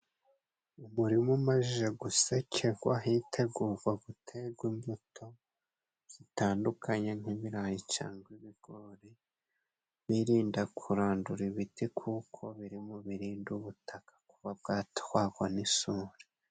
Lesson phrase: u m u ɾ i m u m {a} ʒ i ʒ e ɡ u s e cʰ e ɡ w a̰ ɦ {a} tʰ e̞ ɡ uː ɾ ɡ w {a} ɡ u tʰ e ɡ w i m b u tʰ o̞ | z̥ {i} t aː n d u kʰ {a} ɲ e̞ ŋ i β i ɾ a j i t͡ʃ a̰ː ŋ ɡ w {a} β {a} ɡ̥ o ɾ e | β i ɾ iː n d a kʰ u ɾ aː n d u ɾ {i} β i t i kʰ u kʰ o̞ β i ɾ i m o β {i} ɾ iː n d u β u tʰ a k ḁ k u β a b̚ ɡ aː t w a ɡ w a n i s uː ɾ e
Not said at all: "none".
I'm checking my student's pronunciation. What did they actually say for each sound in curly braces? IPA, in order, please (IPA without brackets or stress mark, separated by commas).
a, i, a, i, a, i, i, i, i